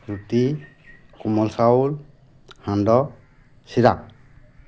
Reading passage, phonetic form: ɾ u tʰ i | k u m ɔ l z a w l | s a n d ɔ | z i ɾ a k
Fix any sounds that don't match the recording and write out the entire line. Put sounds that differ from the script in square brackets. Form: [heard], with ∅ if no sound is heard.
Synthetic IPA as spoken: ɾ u [t] i | k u m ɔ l [s] a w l | [h] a n d ɔ | [s] i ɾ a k